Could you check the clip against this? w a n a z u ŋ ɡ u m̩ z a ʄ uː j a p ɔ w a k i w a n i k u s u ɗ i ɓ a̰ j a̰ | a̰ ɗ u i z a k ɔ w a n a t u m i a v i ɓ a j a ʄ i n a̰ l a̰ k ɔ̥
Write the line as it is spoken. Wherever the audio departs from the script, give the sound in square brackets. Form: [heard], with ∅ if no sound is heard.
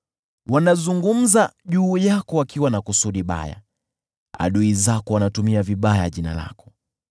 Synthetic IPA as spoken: w a n a z u ŋ ɡ u m̩ z a ʄ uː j a [k] ɔ w a k i w a n [a] k u s u ɗ i ɓ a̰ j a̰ | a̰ ɗ u i z a k ɔ w a n a t u m i a v i ɓ a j a ʄ i n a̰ l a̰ k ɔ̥

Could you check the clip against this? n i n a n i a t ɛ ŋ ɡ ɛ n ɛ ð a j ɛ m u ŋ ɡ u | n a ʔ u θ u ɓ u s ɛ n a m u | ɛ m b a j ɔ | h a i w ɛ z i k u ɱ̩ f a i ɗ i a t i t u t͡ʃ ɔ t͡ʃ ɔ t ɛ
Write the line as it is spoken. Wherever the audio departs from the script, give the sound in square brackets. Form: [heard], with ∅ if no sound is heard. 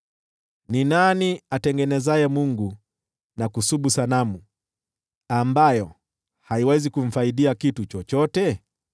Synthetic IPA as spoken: n i n a n i a t ɛ ŋ ɡ ɛ n ɛ [z] a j ɛ m u ŋ ɡ u | n a [k] u [s] u ɓ u s [a] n a m u | [a] m b a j ɔ | h a i w ɛ z i k u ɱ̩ f a i ɗ i a [k] i t u t͡ʃ ɔ t͡ʃ ɔ t ɛ

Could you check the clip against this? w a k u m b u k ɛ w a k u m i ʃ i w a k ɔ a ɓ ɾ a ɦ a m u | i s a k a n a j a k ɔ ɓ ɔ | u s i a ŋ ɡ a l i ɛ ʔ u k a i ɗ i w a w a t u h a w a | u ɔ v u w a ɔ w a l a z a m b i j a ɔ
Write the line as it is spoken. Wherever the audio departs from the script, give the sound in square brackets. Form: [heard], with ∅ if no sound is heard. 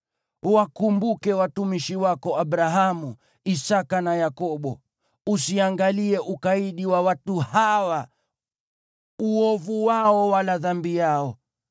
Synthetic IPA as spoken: w a k u m b u k ɛ w a [t] u m i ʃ i w a k ɔ a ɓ ɾ a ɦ a m u | i s a k a n a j a k ɔ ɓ ɔ | u s i a ŋ ɡ a l i ɛ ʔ u k a i ɗ i w a w a t u h a w a | u ɔ v u w a ɔ w a l a [ð] a m b i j a ɔ

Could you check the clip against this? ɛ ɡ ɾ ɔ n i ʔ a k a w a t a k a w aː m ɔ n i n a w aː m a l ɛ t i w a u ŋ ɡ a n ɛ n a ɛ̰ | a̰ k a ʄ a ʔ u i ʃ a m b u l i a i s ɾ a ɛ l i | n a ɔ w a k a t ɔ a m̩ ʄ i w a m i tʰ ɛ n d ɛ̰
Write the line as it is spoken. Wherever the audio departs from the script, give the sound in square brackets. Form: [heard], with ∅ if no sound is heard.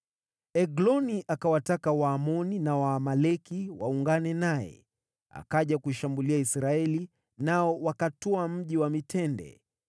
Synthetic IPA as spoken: ɛ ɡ [l] ɔ n i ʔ a k a w a t a k a w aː m ɔ n i n a w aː m a l ɛ [k] i w a u ŋ ɡ a n ɛ n a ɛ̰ | a̰ k a ʄ a [k] u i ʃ a m b u l i a i s ɾ a ɛ l i | n a ɔ w a k a t ɔ a m̩ ʄ i w a m i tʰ ɛ n d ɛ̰

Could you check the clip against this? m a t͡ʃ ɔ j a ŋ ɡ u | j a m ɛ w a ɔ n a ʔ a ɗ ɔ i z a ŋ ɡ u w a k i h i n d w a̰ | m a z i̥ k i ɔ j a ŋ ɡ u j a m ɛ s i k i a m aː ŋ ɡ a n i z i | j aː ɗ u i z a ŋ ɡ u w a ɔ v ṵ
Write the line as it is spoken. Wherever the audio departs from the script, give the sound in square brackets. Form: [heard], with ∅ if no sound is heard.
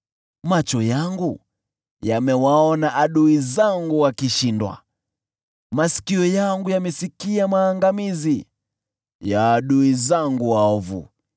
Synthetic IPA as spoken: m a t͡ʃ ɔ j a ŋ ɡ u | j a m ɛ w a ɔ n a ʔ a ɗ [u] i z a ŋ ɡ u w a k i [ʃ] i n d w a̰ | m a [s] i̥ k i ɔ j a ŋ ɡ u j a m ɛ s i k i a m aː ŋ ɡ a [m] i z i | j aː ɗ u i z a ŋ ɡ u w a ɔ v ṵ

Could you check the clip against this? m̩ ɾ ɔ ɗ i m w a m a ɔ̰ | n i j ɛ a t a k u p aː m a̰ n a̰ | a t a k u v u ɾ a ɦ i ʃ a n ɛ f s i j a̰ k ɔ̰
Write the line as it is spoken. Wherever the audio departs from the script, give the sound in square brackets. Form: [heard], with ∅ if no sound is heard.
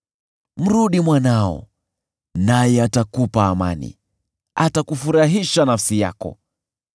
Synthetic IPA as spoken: m̩ ɾ [u] ɗ i m w a [n] a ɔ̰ | n [a] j ɛ a t a k u p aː m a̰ n [ḭ] | a t a k u [f] u ɾ a ɦ i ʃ a n [a] f s i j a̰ k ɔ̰

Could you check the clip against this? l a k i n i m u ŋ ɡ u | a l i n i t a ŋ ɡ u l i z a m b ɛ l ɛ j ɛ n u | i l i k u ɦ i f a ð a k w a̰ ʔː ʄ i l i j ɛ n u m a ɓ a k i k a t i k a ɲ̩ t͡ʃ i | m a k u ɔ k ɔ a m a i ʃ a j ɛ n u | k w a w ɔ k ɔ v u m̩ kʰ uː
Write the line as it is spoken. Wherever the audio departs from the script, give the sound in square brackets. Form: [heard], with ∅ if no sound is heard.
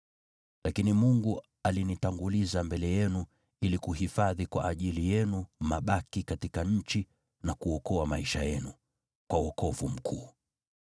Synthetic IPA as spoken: l a k i n i m u ŋ ɡ u | a l i n i t a ŋ ɡ u l i z a m b ɛ l ɛ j ɛ n u | i l i k u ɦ i f a ð [i] k w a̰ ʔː ʄ i l i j ɛ n u m a ɓ a k i k a t i k a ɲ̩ t͡ʃ i | [n] a k u ɔ k ɔ a m a i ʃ a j ɛ n u | k w a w ɔ k ɔ v u m̩ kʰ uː

